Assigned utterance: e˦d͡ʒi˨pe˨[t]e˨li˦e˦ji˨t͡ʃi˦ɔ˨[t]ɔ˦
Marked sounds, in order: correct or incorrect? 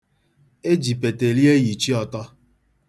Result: correct, correct

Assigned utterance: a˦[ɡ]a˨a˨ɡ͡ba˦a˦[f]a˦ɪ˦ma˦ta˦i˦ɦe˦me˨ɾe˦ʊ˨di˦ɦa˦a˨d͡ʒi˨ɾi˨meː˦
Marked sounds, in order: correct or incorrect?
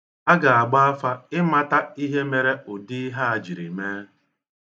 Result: correct, correct

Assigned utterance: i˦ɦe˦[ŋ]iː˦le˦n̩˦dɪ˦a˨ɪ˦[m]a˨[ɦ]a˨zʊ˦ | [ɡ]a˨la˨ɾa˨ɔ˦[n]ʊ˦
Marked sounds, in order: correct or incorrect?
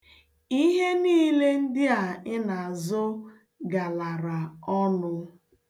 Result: incorrect: n, incorrect: n, incorrect: none, correct, correct

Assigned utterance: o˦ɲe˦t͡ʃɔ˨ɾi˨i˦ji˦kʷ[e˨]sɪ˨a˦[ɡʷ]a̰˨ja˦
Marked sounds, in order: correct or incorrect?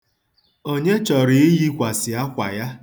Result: incorrect: a˨, incorrect: kʷ

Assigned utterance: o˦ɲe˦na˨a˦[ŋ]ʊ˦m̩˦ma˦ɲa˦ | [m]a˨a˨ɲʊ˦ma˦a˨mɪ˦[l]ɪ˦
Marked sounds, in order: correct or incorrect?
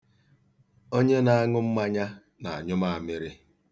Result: correct, incorrect: n, incorrect: ɾ

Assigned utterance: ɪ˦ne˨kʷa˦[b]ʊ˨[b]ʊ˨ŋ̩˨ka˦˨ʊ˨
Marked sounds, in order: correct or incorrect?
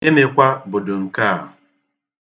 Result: correct, incorrect: d

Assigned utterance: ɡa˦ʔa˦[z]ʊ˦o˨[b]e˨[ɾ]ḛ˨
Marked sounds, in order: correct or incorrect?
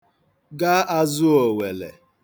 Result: correct, incorrect: w, incorrect: l

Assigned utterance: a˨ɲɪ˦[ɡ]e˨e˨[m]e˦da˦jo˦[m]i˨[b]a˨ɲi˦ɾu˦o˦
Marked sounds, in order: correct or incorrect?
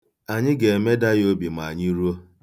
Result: correct, correct, incorrect: b, incorrect: m

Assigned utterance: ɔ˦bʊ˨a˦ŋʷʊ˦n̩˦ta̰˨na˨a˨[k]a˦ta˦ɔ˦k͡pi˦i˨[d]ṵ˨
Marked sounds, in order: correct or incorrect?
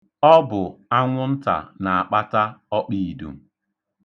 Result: incorrect: k͡p, correct

